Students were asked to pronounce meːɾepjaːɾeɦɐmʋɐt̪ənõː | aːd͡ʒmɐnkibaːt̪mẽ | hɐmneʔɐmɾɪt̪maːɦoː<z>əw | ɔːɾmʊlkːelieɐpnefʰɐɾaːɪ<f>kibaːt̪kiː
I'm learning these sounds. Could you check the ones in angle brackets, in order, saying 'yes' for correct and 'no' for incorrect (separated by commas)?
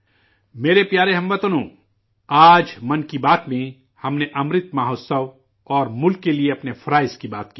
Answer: no, no